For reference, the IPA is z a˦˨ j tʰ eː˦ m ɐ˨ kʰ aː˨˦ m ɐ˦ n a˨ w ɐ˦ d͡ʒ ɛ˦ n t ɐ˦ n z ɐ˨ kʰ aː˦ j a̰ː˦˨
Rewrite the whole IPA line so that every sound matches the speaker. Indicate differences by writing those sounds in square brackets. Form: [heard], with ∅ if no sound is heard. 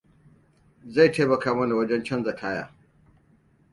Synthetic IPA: z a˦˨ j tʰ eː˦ m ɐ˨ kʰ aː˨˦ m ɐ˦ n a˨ w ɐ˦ d͡ʒ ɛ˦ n [t͡ʃ] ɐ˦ n z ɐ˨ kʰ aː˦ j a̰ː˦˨